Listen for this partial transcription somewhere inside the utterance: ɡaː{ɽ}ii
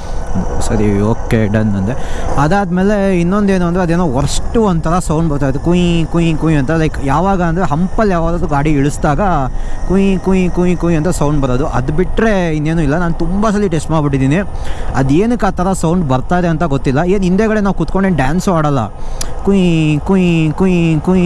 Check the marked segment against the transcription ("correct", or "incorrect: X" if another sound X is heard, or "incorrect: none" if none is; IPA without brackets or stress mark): correct